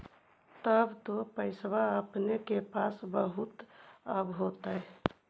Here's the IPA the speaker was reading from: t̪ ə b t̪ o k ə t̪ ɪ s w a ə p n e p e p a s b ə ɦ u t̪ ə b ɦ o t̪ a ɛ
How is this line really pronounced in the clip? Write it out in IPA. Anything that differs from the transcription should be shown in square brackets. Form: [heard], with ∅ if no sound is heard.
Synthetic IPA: t̪ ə b t̪ o [p] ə [∅] ɪ s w a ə p n e [k] e p a s b ə ɦ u t̪ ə b ɦ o t̪ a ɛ